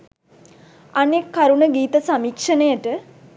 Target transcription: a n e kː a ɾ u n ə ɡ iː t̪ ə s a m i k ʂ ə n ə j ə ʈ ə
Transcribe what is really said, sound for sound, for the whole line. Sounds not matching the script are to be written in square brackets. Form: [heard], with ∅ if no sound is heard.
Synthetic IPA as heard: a n e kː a ɾ u n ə ɡ iː t̪ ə s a m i k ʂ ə n ə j ə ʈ ə